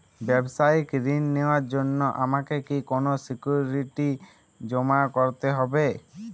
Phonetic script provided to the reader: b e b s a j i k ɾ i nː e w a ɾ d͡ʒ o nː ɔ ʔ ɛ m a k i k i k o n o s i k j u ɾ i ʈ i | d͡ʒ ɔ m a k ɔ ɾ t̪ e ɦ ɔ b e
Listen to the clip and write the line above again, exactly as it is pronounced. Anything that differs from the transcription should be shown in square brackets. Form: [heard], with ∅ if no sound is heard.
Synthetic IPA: b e b s a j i k ɾ i nː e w a ɾ d͡ʒ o nː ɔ ʔ [a] m a k [e] k i k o n o s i k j u ɾ i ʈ i | d͡ʒ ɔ m a k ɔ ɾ t̪ e ɦ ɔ b e